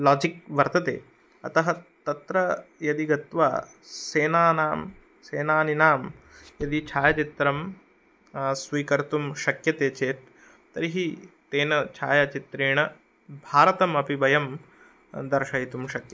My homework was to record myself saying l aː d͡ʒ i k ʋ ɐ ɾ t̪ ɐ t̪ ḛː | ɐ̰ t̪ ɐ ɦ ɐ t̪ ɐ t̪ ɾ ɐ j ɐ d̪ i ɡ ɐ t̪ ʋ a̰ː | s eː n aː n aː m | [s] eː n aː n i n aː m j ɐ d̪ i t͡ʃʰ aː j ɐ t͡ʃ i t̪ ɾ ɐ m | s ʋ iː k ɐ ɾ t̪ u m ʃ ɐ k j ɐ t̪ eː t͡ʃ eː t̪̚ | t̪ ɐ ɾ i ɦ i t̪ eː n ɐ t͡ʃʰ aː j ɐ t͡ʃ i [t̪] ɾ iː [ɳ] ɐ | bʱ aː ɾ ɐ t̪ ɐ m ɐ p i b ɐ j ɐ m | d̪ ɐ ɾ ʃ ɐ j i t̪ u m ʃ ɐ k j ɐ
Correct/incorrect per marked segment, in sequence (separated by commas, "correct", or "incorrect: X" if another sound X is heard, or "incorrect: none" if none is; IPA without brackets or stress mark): correct, correct, correct